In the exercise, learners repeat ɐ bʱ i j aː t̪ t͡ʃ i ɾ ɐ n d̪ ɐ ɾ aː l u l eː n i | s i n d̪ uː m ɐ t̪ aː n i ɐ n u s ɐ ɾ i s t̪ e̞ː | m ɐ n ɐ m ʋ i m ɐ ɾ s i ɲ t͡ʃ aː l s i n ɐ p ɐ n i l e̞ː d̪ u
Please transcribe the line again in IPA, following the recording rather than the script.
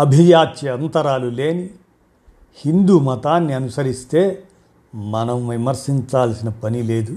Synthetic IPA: ɐ bʱ i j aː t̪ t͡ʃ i ɐ n t̪ ɐ ɾ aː l u l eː n i | h i n d̪ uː m ɐ t̪ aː nː i ɐ n u s ɐ ɾ i s t̪ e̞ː | m ɐ n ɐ m ʋ i m ɐ ɾ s i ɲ t͡ʃ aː l s i n ɐ p ɐ n i l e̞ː d̪ u